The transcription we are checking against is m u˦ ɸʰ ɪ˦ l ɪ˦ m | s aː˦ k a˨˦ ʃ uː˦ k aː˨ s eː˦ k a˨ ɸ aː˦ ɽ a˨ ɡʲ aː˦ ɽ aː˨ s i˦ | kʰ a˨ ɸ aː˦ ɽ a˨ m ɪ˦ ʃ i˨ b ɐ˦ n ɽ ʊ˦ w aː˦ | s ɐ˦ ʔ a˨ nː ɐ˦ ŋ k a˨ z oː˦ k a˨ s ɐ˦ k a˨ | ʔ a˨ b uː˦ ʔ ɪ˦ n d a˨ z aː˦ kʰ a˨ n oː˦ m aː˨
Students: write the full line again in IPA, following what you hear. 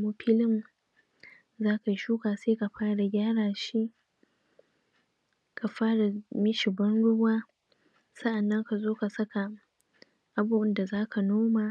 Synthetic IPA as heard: m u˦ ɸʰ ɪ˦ l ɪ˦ m | z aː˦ k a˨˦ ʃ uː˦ k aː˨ s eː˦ k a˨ ɸ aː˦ ɽ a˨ ɡʲ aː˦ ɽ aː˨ ʃ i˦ | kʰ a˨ ɸ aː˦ ɽ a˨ m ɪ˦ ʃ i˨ b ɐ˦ n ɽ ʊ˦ w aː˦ | s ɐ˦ ʔ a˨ nː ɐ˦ ŋ k a˨ z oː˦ k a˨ s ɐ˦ k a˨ | ʔ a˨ b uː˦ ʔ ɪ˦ n d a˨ z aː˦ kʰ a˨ n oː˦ m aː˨